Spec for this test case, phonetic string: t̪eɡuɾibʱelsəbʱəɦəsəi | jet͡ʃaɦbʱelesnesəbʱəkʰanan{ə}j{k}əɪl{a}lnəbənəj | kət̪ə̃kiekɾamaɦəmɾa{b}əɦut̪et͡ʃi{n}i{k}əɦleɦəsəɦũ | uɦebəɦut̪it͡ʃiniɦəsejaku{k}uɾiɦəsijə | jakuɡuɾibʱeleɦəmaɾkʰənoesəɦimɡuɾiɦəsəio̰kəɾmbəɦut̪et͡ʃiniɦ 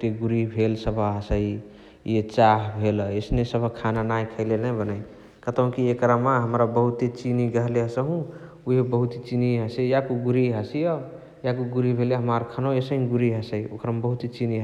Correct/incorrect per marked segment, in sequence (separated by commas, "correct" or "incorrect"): incorrect, incorrect, incorrect, correct, correct, incorrect, incorrect